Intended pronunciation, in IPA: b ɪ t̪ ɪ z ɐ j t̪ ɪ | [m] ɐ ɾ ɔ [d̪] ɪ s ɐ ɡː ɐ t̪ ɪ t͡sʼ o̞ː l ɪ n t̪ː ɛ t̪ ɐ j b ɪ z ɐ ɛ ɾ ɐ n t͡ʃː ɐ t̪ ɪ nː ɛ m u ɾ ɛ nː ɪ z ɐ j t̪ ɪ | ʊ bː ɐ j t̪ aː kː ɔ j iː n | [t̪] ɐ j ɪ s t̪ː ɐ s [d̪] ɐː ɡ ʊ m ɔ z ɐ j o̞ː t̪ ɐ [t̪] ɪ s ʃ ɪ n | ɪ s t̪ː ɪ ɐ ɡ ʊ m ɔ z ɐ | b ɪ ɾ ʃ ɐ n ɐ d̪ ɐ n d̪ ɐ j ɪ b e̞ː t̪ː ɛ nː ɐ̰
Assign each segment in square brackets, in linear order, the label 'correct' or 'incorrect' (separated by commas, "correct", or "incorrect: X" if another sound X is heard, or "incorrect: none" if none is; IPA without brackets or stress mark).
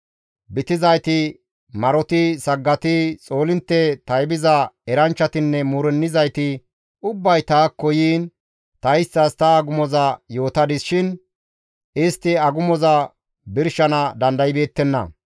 correct, incorrect: t̪, correct, incorrect: t̪, incorrect: d̪